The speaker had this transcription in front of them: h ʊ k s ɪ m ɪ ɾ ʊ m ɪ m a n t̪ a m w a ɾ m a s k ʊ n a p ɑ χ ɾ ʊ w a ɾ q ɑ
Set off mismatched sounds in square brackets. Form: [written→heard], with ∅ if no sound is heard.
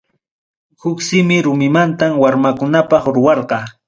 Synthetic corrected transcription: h ʊ k s ɪ m ɪ ɾ ʊ m ɪ m a n t̪ a m w a ɾ m a [s→∅] k ʊ n a p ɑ χ ɾ ʊ w [a→ɑ] ɾ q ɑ